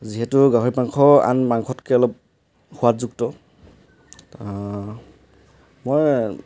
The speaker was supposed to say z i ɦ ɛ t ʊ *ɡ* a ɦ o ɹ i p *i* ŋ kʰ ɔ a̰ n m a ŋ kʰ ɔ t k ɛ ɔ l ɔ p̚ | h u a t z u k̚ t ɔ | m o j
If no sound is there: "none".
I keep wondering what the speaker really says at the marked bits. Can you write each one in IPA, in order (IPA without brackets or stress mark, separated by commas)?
ɡ, a